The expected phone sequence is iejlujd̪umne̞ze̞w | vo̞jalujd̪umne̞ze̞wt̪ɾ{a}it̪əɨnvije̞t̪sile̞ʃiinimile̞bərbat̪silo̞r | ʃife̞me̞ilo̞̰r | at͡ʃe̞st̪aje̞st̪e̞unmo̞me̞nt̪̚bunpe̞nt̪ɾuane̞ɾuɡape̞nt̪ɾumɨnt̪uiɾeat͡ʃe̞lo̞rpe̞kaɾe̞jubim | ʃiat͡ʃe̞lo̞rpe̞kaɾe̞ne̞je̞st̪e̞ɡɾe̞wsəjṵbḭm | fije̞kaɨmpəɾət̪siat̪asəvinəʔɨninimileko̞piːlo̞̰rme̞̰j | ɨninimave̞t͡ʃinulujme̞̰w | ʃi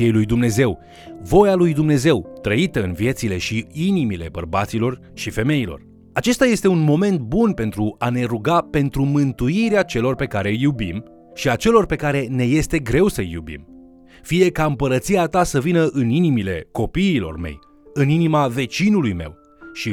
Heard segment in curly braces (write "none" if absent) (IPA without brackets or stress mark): ə